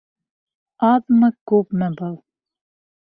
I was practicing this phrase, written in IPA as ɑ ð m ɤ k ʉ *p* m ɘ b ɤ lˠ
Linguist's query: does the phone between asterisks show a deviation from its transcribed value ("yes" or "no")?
no